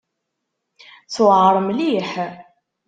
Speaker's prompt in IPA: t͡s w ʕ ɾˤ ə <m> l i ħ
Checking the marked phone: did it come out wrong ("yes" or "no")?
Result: no